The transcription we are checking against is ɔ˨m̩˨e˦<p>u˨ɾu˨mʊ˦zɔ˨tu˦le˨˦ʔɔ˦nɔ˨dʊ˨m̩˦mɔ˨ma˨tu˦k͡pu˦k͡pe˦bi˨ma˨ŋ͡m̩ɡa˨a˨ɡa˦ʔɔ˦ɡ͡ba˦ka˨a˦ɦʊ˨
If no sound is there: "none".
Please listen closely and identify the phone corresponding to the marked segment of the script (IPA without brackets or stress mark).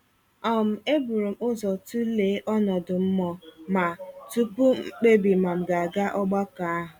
b